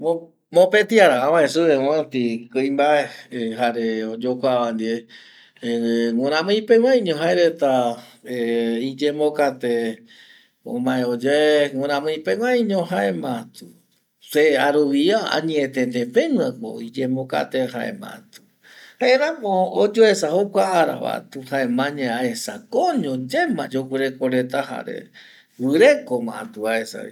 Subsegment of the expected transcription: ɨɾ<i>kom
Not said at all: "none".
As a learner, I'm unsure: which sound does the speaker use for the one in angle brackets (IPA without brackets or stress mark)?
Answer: e